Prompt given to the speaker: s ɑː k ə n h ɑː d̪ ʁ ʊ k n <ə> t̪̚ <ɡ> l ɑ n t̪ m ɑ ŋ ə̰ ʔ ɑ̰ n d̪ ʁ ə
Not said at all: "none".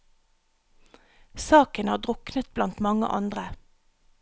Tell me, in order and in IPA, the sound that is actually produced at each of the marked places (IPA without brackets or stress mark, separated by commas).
ə, b